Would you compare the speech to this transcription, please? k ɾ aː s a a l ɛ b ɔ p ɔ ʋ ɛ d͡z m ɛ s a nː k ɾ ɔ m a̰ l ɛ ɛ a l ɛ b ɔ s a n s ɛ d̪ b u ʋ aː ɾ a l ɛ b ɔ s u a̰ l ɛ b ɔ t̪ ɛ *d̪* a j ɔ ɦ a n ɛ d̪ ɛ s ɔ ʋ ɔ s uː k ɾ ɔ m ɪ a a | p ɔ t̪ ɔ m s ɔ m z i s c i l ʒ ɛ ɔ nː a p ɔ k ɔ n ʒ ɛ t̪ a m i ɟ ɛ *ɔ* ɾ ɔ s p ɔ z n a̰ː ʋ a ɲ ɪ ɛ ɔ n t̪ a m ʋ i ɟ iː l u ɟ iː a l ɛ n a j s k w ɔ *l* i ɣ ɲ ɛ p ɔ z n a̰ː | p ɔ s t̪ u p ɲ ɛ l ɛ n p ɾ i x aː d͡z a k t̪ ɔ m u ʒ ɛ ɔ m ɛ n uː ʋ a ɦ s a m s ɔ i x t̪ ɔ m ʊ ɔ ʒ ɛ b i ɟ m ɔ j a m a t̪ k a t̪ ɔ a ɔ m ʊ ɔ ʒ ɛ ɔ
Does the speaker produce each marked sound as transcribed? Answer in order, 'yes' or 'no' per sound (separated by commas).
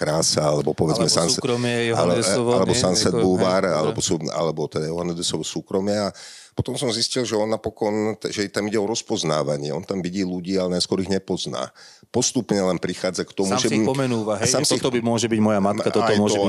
yes, yes, no